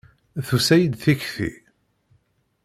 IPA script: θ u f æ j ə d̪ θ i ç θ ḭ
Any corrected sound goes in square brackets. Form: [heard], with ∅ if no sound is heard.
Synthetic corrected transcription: θ u [s] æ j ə d̪ θ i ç θ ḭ